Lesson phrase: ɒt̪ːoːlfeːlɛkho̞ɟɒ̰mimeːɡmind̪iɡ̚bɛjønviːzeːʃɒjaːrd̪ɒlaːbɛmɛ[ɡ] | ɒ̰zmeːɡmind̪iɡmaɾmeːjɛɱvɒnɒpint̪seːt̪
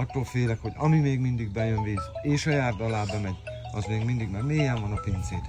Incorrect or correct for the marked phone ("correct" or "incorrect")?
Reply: incorrect